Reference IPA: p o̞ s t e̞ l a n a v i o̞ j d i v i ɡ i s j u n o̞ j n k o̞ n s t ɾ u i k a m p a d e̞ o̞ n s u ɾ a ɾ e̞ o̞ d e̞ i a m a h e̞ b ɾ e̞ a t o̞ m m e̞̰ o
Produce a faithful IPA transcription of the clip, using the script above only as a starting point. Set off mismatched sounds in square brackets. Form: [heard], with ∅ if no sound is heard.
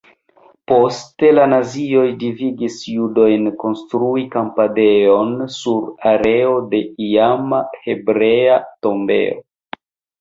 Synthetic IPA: p o̞ s t e̞ l a n a [z] i o̞ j d i v i ɡ i s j u [d] o̞ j n k o̞ n s t ɾ u i k a m p a d e̞ o̞ n s u ɾ a ɾ e̞ o̞ d e̞ i a m a h e̞ b ɾ e̞ a t o̞ m [b] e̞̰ o